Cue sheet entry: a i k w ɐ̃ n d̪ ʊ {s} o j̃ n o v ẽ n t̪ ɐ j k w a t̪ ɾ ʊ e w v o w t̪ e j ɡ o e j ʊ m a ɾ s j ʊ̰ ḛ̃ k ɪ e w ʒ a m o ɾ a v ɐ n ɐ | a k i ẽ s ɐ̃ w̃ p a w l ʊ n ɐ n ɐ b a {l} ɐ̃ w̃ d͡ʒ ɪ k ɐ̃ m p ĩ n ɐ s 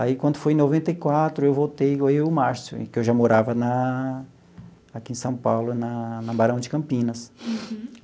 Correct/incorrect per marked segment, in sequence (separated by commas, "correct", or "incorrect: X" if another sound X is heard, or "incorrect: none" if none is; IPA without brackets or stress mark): incorrect: f, incorrect: ɾ